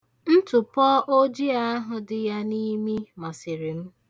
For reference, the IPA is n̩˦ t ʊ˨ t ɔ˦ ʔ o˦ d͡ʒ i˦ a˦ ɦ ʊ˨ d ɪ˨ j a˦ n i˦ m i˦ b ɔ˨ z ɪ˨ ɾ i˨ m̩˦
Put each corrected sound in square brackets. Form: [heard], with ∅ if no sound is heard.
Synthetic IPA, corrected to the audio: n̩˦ t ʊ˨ [p] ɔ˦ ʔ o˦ d͡ʒ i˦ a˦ ɦ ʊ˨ d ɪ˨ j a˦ n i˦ m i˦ [m] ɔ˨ [s] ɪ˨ ɾ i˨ m̩˦